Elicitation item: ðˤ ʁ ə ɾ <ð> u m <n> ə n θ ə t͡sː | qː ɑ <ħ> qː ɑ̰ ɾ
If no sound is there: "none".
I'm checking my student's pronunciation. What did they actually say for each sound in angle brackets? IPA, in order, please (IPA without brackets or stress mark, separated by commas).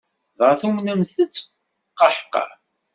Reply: θ, n, ħ